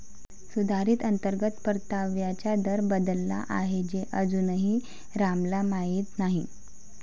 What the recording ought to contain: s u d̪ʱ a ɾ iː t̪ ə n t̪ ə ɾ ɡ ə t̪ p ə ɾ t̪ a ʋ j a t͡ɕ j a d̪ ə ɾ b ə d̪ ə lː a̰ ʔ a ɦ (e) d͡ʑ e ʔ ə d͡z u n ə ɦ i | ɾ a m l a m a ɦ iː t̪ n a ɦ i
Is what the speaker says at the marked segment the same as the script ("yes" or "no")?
yes